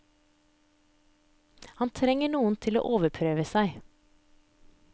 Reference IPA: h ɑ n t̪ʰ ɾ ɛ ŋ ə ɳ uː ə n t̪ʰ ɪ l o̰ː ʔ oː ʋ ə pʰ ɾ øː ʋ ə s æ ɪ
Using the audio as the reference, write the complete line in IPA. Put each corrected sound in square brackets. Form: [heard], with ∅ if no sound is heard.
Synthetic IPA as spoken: h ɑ n t̪ʰ ɾ ɛ ŋ ə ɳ uː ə n t̪ʰ ɪ l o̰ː ʔ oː ʋ ə pʰ ɾ øː ʋ ə s æ ɪ